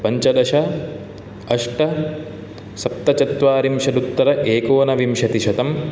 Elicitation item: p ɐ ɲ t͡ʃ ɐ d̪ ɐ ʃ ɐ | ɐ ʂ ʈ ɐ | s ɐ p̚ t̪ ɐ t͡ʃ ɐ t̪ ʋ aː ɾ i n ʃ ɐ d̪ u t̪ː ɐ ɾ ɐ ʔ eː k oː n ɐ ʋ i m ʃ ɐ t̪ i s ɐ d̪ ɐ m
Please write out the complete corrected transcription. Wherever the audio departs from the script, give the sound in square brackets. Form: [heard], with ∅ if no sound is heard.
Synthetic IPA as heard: p ɐ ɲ t͡ʃ ɐ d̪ ɐ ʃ ɐ | ɐ ʂ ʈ ɐ | s ɐ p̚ t̪ ɐ t͡ʃ ɐ t̪ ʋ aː ɾ i [m] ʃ ɐ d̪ u t̪ː ɐ ɾ ɐ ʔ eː k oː n ɐ ʋ i m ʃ ɐ t̪ i [ʃ] ɐ [t̪] ɐ m